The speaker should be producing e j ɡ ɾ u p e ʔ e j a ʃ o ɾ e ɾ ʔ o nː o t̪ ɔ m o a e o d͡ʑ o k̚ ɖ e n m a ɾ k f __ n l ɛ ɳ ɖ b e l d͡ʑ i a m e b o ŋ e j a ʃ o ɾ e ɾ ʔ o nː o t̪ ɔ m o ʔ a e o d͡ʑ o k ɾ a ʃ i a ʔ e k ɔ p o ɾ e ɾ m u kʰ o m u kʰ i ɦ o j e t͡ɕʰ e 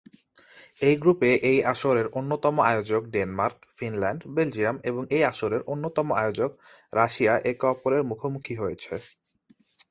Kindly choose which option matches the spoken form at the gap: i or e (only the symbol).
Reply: i